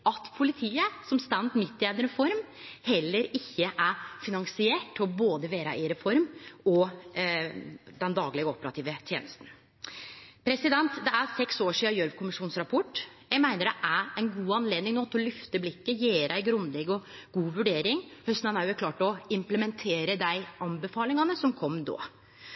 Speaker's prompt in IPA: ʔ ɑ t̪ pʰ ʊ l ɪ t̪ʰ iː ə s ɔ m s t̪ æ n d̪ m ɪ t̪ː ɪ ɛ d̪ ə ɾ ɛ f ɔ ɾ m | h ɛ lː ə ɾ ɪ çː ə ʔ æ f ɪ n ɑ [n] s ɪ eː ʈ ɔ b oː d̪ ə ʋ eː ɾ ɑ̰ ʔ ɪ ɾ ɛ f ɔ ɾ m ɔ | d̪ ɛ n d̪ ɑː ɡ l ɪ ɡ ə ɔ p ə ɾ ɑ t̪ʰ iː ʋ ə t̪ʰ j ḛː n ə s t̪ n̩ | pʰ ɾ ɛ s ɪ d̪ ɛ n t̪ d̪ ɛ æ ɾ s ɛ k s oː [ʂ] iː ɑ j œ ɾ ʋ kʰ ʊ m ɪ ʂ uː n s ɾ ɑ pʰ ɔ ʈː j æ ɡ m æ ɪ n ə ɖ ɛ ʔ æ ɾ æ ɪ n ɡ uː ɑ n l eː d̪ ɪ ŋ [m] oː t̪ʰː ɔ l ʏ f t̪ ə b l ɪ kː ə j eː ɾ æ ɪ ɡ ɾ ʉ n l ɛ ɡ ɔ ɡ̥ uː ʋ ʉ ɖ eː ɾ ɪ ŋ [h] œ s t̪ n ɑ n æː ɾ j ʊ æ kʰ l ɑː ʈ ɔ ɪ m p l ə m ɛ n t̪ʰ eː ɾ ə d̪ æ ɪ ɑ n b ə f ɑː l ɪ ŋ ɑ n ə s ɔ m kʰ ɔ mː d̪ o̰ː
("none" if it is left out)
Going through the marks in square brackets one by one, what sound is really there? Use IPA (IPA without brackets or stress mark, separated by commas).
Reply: ŋ, ʂ, n, h